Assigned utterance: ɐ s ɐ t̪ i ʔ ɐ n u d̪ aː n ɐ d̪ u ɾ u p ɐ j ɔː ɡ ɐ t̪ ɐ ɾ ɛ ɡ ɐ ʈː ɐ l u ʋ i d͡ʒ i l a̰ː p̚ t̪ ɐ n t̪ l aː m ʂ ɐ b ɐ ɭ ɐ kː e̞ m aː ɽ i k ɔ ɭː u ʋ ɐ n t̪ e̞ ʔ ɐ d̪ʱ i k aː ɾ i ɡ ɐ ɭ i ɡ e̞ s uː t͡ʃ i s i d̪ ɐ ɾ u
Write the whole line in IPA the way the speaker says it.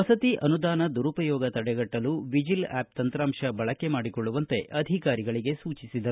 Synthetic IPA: ɐ s ɐ t̪ i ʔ ɐ n u d̪ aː n ɐ d̪ u ɾ u p ɐ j ɔː ɡ ɐ t̪ ɐ ɽ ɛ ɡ ɐ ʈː ɐ l u ʋ i d͡ʒ i l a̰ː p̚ t̪ ɐ n t̪ ɾ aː m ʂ ɐ b ɐ ɭ ɐ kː e̞ m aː ɽ i k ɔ ɭː u ʋ ɐ n t̪ e̞ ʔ ɐ d̪ʱ i k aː ɾ i ɡ ɐ ɭ i ɡ e̞ s uː t͡ʃ i s i d̪ ɐ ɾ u